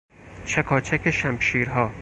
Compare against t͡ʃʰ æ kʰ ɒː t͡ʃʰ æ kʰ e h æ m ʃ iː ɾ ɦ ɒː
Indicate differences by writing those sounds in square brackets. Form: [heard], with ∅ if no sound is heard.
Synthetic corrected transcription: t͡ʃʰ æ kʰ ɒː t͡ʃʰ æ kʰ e [ʃ] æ m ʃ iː ɾ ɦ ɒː